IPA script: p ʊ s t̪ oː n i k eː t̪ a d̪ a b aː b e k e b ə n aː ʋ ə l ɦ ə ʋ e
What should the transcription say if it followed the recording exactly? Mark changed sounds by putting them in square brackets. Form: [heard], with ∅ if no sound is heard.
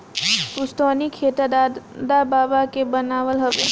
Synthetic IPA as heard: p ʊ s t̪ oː n i [kʰ] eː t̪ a d̪ a b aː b [a] k e b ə n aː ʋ ə l ɦ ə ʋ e